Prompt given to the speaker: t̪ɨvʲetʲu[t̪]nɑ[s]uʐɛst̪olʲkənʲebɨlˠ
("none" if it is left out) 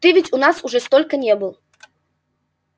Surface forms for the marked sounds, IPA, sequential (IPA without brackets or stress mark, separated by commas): none, s